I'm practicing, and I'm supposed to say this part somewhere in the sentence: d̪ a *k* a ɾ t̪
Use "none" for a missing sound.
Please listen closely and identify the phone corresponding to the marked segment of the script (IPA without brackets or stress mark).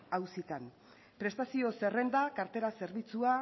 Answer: k